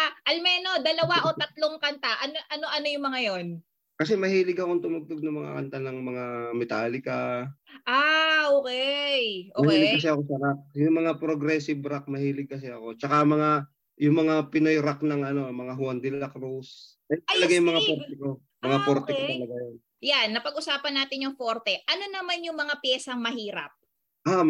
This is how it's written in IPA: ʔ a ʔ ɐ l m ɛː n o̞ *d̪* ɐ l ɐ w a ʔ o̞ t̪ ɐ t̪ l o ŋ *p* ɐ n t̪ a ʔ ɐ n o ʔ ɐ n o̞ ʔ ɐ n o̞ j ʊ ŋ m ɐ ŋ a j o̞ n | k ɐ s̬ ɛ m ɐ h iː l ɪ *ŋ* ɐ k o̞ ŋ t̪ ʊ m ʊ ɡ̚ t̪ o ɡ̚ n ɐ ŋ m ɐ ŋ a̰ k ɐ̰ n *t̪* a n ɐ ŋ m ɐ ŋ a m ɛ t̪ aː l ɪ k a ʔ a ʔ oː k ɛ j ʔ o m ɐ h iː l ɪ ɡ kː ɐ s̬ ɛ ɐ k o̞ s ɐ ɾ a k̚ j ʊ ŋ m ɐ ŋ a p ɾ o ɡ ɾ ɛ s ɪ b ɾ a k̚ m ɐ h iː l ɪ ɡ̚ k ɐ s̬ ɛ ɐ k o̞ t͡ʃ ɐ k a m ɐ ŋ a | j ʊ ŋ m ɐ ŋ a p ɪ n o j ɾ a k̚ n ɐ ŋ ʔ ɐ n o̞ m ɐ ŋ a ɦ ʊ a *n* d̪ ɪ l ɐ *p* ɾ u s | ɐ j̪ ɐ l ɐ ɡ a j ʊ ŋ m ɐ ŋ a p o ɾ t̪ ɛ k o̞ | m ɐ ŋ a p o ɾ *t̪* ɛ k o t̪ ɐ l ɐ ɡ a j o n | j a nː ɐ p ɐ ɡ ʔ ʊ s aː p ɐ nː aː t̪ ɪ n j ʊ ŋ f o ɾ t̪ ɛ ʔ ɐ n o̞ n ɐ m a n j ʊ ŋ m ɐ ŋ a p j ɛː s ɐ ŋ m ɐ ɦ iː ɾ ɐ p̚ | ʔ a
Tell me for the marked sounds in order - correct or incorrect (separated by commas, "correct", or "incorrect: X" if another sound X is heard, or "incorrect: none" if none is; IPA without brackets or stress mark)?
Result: correct, incorrect: k, incorrect: ɡ, correct, correct, incorrect: k, correct